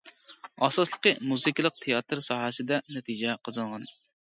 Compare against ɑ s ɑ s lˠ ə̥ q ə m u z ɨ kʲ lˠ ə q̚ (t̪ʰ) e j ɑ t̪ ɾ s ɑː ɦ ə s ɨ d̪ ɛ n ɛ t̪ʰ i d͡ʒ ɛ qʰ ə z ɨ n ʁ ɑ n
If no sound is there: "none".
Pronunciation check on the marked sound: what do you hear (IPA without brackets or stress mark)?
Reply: t̪ʰ